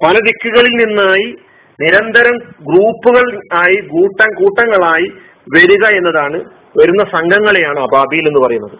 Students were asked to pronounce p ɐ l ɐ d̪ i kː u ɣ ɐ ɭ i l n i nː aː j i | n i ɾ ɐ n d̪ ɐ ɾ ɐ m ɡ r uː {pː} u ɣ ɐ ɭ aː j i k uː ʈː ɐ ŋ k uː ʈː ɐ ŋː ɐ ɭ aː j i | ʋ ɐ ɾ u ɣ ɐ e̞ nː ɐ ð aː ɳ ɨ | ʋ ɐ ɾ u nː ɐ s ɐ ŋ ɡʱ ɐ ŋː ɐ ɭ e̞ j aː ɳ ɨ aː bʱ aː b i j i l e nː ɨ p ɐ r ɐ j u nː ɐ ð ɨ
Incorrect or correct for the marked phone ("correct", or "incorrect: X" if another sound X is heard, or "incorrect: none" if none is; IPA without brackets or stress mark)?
correct